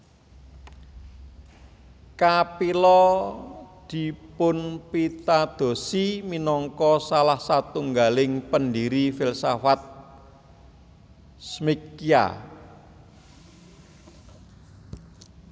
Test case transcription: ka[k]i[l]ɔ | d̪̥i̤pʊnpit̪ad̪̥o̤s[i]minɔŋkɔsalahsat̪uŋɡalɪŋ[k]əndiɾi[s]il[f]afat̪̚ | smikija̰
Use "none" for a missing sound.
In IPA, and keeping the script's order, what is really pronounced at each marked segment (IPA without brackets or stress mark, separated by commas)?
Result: p, l, i, p, f, s